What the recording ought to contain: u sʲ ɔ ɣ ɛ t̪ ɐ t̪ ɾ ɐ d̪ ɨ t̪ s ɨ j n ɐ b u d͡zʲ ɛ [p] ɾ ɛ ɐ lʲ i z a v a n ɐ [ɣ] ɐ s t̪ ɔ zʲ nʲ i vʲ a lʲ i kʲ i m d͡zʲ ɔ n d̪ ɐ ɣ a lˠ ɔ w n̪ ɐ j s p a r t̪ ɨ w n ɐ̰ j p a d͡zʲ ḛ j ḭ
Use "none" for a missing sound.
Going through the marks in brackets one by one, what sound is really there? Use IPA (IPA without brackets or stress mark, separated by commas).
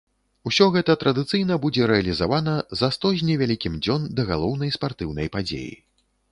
none, z